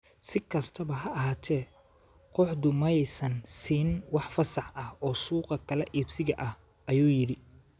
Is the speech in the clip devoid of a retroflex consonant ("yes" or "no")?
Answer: no